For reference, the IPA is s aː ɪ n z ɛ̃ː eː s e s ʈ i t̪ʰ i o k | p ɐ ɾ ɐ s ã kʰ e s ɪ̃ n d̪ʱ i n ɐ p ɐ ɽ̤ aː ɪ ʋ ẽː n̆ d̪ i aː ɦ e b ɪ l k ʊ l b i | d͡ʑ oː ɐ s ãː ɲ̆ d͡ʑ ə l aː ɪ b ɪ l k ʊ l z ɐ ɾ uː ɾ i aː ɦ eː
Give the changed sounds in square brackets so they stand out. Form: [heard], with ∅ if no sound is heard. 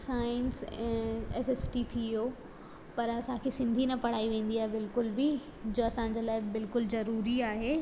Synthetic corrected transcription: s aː ɪ n [s] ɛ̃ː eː s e s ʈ i t̪ʰ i o [∅] | p ɐ ɾ ɐ s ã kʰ e s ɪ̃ n d̪ʱ i n ɐ p ɐ ɽ̤ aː [i] ʋ ẽː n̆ d̪ i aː ɦ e b ɪ l k ʊ l b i | d͡ʑ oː ɐ s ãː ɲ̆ d͡ʑ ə l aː ɪ b ɪ l k ʊ l z ɐ ɾ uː ɾ i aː ɦ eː